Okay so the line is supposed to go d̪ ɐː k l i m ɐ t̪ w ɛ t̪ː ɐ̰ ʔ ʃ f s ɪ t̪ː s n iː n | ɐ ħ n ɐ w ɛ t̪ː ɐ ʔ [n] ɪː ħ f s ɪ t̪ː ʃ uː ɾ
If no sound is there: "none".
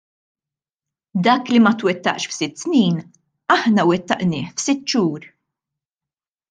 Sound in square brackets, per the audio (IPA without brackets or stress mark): n